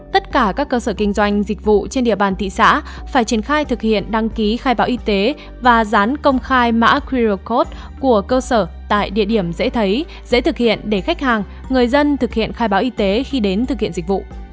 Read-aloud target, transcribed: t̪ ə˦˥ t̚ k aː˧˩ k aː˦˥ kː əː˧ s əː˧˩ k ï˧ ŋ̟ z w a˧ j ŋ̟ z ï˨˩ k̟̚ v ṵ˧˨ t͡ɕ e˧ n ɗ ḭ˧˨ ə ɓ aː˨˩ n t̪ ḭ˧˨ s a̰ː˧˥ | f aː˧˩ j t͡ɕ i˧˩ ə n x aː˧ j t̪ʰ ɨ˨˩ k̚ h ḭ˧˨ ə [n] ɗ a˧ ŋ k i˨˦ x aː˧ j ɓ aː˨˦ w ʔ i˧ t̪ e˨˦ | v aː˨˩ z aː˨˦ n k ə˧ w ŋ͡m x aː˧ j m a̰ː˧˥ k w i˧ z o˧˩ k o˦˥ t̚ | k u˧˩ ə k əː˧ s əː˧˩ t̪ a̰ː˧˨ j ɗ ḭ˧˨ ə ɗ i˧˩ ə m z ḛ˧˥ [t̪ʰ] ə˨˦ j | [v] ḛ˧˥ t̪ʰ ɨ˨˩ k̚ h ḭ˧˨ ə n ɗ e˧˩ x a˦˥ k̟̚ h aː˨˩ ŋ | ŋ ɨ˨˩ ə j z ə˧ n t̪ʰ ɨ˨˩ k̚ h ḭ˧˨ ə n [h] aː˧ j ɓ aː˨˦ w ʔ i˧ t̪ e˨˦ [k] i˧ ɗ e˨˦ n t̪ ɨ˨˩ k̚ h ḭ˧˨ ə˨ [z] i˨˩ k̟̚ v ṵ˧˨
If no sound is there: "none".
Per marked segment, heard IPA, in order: n, t̪ʰ, z, x, x, z

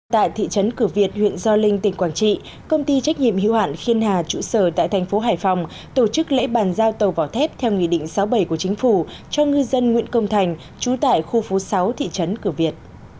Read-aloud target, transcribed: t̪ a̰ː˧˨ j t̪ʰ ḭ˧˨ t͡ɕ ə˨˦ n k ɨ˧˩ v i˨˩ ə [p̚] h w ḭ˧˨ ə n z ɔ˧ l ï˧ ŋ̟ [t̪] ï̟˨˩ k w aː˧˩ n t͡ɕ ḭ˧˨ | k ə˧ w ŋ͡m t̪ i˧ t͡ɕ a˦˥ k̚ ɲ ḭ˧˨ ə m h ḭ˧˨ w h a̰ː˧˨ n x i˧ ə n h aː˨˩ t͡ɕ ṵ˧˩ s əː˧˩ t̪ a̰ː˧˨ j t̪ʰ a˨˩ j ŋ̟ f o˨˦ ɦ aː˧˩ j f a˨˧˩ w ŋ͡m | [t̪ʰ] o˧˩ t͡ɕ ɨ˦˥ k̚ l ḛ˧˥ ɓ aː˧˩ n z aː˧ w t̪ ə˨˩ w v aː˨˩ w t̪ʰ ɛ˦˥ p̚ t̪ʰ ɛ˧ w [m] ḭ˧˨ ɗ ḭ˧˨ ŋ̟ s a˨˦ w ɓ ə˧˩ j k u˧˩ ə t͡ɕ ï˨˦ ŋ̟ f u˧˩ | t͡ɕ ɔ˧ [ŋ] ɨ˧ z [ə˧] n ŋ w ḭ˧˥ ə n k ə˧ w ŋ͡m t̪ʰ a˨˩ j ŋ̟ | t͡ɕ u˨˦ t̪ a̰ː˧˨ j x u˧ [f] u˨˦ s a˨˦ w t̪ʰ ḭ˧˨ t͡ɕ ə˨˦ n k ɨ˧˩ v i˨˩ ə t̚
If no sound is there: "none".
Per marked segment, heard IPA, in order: t̚, t̪, t̪, ŋ, ŋ, ə˧, f

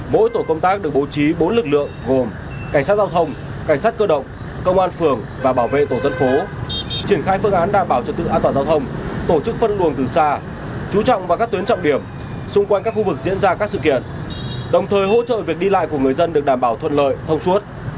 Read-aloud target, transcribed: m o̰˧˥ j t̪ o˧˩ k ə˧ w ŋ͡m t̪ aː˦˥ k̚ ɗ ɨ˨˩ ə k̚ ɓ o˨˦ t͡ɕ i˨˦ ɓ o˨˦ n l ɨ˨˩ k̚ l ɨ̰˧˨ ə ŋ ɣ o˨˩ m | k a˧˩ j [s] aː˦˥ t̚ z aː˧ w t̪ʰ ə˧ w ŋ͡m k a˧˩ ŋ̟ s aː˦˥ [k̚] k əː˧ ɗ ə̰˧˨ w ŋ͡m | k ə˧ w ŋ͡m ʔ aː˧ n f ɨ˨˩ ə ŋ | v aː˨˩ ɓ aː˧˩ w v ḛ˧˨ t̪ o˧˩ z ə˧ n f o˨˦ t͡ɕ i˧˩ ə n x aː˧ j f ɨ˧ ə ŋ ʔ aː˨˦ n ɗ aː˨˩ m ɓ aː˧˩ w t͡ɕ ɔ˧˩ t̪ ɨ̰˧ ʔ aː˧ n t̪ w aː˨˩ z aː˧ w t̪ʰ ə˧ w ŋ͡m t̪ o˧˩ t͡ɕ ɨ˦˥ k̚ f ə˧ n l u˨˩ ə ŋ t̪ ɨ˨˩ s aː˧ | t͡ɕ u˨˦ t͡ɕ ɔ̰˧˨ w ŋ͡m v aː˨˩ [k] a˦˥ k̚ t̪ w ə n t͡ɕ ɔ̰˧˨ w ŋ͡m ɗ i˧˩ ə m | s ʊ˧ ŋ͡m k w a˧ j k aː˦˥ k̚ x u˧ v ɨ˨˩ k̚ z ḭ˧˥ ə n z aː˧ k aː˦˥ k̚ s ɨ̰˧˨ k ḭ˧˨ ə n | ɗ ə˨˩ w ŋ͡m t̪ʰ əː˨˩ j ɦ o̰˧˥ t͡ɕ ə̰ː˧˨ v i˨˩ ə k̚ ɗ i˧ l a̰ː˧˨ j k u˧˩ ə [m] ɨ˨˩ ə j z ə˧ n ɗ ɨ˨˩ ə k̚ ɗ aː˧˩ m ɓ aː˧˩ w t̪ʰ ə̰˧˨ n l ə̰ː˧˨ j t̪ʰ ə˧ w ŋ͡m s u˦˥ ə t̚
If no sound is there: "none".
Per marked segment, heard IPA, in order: s, t̚, k, ŋ

